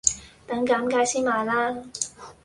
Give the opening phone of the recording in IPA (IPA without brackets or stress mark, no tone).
t̪